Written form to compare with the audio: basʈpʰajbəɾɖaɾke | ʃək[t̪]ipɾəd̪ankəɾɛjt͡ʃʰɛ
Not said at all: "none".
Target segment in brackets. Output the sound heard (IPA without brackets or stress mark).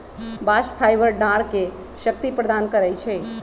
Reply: t̪